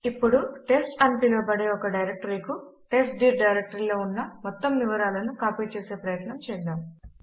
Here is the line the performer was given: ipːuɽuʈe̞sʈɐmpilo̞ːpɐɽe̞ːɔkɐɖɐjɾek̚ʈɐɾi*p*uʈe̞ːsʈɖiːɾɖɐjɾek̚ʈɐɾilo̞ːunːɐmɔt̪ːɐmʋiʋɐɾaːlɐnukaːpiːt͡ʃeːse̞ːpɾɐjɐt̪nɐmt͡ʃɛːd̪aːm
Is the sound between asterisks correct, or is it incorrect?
incorrect